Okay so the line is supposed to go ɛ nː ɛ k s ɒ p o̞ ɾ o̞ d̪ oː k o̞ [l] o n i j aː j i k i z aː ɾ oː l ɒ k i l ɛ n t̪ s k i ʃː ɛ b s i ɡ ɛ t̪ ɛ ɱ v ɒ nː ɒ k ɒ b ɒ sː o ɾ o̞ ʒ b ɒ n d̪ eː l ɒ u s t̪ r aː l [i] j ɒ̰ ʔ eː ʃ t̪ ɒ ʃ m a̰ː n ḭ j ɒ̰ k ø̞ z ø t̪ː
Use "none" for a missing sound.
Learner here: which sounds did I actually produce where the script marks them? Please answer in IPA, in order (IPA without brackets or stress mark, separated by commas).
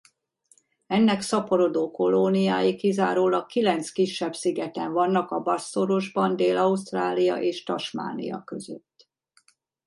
l, i